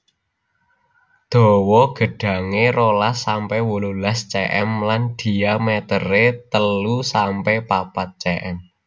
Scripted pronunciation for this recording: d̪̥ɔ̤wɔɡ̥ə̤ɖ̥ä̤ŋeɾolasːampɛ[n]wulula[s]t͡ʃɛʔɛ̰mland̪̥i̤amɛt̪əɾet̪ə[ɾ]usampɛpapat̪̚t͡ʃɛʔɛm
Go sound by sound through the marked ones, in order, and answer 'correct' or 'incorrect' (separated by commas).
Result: incorrect, correct, incorrect